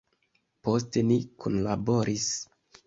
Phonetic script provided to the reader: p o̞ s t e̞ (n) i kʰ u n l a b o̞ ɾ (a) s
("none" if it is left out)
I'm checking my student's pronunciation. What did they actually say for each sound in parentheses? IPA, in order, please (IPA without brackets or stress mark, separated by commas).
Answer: n, i